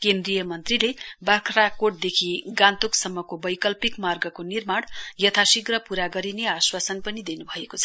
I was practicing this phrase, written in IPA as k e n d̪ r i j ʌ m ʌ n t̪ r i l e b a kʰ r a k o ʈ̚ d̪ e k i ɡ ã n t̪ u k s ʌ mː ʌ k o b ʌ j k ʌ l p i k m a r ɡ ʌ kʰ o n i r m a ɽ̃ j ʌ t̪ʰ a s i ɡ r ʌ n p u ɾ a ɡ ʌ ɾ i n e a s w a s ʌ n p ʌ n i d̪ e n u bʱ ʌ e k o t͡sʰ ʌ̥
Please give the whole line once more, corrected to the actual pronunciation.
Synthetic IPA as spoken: k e n d̪ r i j ʌ m ʌ n t̪ r i l e b a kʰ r a k o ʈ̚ d̪ e kʰ i ɡ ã n t̪ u k s ʌ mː ʌ k o b ʌ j k ʌ l p i k m a r ɡ ʌ k o n i r m a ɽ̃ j ʌ t̪ʰ a s i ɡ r ʌ p u ɾ a ɡ ʌ ɾ i n e a s w a s ʌ n p ʌ n i d̪ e n u bʱ ʌ e k o t͡sʰ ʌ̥

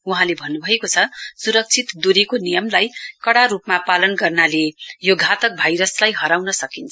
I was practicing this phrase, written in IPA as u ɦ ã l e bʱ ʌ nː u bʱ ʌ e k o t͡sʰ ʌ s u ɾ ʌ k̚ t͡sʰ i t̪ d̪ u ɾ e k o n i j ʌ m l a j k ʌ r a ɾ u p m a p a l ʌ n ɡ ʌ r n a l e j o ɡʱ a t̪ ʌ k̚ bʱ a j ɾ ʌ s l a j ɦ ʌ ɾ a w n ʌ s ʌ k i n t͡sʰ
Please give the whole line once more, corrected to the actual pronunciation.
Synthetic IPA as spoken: u ɦ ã l e bʱ ʌ nː u bʱ ʌ e k o t͡sʰ ʌ s u ɾ ʌ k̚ t͡sʰ i t̪ d̪ u ɾ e k o n i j ʌ m l a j k ʌ ɽ a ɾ u p m a p a l ʌ n ɡ ʌ r n a l e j o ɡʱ a t̪ ʌ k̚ bʱ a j ɾ ʌ s l a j ɦ ʌ ɾ a w n ʌ s ʌ k i n t͡sʰ

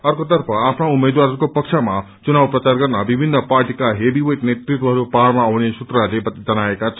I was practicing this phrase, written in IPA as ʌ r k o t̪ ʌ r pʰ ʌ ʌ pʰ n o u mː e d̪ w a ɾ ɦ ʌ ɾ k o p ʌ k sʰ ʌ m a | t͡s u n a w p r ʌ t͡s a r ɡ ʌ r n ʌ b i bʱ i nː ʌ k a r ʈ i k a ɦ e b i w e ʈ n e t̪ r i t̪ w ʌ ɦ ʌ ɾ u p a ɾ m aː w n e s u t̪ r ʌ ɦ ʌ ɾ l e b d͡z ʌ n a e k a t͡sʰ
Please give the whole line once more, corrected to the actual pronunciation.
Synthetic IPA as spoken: ʌ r k o t̪ ʌ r pʰ ʌ a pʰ n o u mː e d̪ w a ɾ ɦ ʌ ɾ k o p ʌ k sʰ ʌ m a | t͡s u n a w p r ʌ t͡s a r ɡ ʌ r n ʌ b i bʱ i nː ʌ p a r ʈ i k a ɦ e b i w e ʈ n e t̪ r i t̪ w ʌ ɦ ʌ ɾ u p a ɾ m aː w n e s u t̪ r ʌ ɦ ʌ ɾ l e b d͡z ʌ n a e k a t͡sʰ

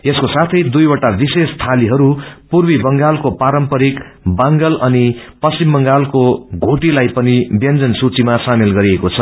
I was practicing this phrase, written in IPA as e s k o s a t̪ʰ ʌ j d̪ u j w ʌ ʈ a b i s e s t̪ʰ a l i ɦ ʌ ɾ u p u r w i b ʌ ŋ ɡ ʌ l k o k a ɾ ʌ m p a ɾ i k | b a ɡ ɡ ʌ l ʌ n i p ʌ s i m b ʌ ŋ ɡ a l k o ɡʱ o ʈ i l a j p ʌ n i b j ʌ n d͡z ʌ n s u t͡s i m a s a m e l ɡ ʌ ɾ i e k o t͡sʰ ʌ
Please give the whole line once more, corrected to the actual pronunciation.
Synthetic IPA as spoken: e s k o s a t̪ʰ ʌ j d̪ u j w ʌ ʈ a b i s e s t̪ʰ a l i ɦ ʌ ɾ u p u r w i b ʌ ŋ ɡ a l k o p a ɾ ʌ m p ʌ ɾ i k | b a ŋ ɡ ʌ l ʌ n i p ʌ s i m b ʌ ŋ ɡ a l k o ɡʱ o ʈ i l a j p ʌ n i b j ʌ n d͡z ʌ n s u t͡s i m a s a m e l ɡ ʌ ɾ i e k o t͡sʰ ʌ

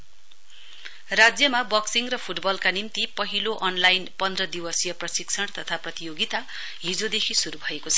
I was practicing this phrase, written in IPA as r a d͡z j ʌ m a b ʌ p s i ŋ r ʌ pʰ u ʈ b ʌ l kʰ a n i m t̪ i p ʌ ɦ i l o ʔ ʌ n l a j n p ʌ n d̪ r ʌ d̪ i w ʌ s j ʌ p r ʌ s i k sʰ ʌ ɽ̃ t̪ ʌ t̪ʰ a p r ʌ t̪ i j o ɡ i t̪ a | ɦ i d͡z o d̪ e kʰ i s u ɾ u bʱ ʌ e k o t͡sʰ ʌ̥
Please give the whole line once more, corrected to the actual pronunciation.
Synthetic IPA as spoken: r a d͡z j ʌ m a b ʌ k s i ŋ r ʌ pʰ u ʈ b ʌ l k a n i m t̪ i p ʌ ɦ i l o ʔ ʌ n l a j n p ʌ n d̪ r ʌ d̪ i w ʌ s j ʌ p r ʌ s i k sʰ ʌ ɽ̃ t̪ ʌ t̪ʰ a p r ʌ t̪ i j o ɡ i t̪ a | ɦ i d͡z o d̪ e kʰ i s u ɾ u bʱ ʌ e k o t͡sʰ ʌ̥

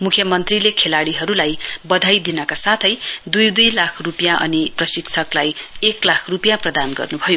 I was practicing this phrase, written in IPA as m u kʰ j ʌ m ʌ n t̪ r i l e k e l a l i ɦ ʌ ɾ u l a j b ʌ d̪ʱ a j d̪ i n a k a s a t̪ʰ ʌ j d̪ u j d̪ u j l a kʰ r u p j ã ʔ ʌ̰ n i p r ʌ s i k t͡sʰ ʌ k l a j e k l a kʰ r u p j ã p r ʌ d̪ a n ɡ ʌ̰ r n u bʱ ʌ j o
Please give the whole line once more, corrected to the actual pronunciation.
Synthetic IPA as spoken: m u kʰ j ʌ m ʌ n t̪ r i l e kʰ e l a ɽ i ɦ ʌ ɾ u l a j b ʌ d̪ʱ a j d̪ i n ʌ k a s a t̪ʰ ʌ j d̪ u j d̪ u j l a kʰ r u p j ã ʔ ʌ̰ n i p r ʌ s i k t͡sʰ ʌ k l a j e k l a kʰ r u p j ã p r ʌ d̪ a n ɡ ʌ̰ r n u bʱ ʌ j o

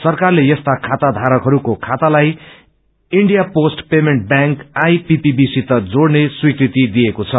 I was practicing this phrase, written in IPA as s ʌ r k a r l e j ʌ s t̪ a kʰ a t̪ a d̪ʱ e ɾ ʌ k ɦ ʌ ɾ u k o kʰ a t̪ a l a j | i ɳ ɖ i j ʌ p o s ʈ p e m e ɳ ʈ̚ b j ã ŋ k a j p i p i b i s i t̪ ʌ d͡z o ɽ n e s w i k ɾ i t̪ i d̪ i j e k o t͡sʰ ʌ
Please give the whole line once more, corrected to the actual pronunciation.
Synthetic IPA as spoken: s ʌ r k a r l e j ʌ s t̪ a kʰ a t̪ a d̪ʱ a ɾ ʌ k ɦ ʌ ɾ u k o kʰ a t̪ a l a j | i ɳ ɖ i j a p o s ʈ p e m e ɳ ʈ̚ b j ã ŋ k a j p i p i b i s i t̪ ʌ d͡z o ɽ n e s w i k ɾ i t̪ i d̪ i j e k o t͡sʰ ʌ

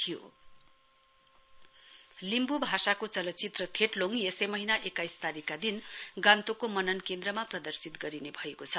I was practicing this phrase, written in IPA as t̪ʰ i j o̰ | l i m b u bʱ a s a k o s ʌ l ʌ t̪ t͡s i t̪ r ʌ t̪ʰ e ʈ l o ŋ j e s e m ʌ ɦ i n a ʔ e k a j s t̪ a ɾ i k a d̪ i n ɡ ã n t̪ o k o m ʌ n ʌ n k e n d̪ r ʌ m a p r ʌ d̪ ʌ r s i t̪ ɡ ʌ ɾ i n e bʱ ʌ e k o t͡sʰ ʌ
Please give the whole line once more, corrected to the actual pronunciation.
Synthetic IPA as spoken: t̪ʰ i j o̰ | l i m b u bʱ a s a k o t͡s ʌ l ʌ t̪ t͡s i t̪ r ʌ t̪ʰ e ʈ l o ŋ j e s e m ʌ ɦ i n a ʔ e k a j s t̪ a ɾ i k a d̪ i n ɡ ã n t̪ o k o m ʌ n ʌ n k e n d̪ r ʌ m a p r ʌ d̪ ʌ r s i t̪ ɡ ʌ ɾ i n e bʱ ʌ e k o t͡sʰ ʌ

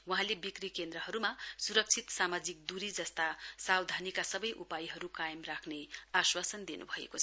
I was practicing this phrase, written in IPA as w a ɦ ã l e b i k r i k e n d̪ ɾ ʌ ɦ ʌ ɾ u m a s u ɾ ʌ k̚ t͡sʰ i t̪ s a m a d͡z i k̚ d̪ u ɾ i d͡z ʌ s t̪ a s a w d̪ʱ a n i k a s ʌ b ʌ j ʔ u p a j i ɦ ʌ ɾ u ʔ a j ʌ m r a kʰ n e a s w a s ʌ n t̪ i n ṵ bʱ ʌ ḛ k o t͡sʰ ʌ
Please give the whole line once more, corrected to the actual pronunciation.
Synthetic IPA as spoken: w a ɦ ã l e b i k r i k e n d̪ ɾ ʌ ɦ ʌ ɾ u m a s u ɾ ʌ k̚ t͡sʰ i t̪ s a m a d͡z i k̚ d̪ u ɾ i d͡z ʌ s t̪ a s a w d̪ʱ a n i k a s ʌ b ʌ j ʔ u p a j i ɦ ʌ ɾ u k a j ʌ m r a kʰ n e a s w a s ʌ n d̪ i n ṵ bʱ ʌ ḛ k o t͡sʰ ʌ

